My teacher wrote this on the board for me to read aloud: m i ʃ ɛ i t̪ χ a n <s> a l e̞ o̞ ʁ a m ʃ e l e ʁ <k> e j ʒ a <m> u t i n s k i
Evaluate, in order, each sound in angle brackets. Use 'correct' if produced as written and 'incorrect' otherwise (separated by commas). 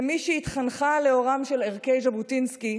incorrect, correct, incorrect